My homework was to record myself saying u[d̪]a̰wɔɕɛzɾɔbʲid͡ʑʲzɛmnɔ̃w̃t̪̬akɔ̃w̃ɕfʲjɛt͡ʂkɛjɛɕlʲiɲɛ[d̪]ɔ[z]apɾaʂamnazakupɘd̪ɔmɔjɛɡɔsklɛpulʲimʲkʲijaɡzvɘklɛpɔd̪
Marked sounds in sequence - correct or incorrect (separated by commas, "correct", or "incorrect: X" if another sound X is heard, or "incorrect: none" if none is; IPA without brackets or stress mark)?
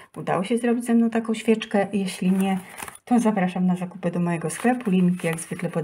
correct, incorrect: t̪, correct